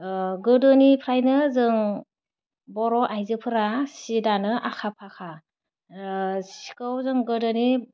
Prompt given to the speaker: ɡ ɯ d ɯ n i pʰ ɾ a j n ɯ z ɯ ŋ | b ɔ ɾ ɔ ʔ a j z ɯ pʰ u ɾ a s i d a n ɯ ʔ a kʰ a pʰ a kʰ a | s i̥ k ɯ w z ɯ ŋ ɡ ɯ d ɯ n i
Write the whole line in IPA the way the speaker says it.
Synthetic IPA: ɡ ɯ d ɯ n i pʰ ɾ a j n ɯ z ɯ ŋ | b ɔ ɾ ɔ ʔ a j z ɯ pʰ ɯ ɾ a s i d a n ɯ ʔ a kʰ a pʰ a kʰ a | s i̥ k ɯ w z ɯ ŋ ɡ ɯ d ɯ n i